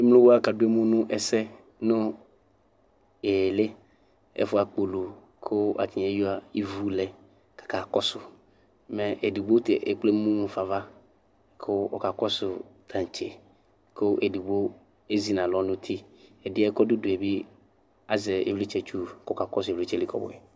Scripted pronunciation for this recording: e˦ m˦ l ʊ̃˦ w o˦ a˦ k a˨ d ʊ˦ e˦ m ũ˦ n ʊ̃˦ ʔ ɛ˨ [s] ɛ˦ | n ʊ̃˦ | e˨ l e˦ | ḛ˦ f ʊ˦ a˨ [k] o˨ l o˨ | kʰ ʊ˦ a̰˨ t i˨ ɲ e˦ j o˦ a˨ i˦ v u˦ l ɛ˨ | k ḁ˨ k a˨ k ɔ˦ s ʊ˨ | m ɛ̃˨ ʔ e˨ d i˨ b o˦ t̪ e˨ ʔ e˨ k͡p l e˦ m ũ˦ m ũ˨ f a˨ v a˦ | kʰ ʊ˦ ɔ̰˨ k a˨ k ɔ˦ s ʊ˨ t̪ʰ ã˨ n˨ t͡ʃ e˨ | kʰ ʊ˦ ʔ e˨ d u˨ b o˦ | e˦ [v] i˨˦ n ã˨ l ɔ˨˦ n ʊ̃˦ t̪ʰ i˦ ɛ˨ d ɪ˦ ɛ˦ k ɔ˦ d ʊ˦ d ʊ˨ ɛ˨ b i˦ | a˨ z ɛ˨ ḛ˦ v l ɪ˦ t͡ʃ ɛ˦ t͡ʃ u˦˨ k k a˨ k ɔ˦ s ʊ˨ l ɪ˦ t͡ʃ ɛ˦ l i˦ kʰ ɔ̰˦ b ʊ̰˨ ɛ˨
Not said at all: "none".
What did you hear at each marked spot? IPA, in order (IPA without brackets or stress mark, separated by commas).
s, k͡p, z